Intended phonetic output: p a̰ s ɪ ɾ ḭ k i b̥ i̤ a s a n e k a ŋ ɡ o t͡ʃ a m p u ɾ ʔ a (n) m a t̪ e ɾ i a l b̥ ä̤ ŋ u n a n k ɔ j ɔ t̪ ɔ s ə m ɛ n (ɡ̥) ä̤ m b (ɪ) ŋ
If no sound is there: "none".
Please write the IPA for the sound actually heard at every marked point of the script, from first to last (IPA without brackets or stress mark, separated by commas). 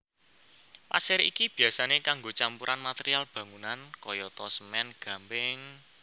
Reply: n, ɡ̥, ɪ